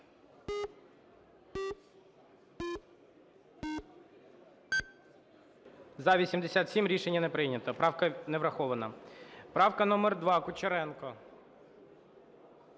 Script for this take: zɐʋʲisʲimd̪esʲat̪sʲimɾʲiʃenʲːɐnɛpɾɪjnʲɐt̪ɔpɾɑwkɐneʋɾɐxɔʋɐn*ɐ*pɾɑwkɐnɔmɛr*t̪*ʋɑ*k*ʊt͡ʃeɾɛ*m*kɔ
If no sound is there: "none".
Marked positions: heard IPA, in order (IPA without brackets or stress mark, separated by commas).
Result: ɐ, d̪, k, n